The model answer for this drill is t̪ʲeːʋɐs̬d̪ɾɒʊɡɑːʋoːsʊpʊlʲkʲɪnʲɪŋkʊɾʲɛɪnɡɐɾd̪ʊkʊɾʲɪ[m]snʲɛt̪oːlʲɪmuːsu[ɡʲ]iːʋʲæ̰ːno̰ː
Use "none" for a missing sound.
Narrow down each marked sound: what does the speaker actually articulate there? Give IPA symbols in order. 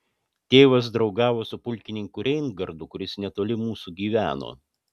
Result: none, ɡʲ

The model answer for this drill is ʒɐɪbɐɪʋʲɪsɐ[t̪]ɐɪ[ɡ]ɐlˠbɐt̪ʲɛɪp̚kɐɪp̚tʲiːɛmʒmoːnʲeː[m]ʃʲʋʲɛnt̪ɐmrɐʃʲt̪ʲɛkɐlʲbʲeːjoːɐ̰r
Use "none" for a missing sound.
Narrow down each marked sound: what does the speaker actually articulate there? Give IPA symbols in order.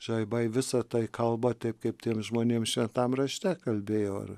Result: t̪, k, m

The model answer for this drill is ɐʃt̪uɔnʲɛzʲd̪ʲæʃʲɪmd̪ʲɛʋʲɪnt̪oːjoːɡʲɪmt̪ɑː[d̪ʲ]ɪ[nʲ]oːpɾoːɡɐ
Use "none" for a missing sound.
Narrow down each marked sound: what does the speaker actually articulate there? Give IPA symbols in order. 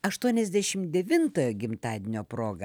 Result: d̪ʲ, nʲ

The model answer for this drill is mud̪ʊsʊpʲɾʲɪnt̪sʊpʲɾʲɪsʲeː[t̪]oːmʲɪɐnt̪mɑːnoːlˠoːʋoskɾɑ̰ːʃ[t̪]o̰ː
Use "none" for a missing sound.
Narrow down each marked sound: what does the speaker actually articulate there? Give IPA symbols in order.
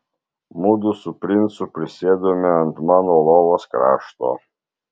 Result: d̪, t̪

